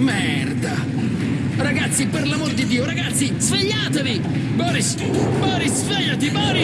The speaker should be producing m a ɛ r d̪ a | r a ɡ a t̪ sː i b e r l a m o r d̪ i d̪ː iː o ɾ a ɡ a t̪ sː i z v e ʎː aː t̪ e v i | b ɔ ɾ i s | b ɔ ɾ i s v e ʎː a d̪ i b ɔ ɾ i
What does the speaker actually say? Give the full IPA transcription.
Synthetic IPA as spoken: m ɛ ɛ r d̪ a | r a ɡ a t̪ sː i p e r l a m o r d̪ i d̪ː iː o ɾ a ɡ a t̪ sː i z v e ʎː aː t̪ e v i | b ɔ ɾ i s | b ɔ ɾ i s v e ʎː a t̪ i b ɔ ɾ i